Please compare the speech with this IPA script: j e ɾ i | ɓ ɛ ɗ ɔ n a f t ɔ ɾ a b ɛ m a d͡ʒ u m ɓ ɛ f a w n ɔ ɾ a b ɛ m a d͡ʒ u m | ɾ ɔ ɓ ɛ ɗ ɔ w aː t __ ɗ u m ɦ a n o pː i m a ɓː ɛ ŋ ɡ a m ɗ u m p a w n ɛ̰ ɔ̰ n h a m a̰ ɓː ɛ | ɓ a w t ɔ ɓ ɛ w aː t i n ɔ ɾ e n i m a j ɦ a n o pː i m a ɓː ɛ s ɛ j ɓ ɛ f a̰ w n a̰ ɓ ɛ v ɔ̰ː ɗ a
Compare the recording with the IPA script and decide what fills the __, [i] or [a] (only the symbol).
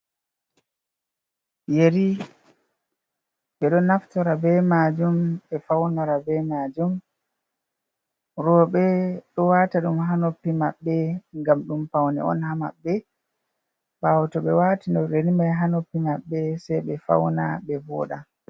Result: a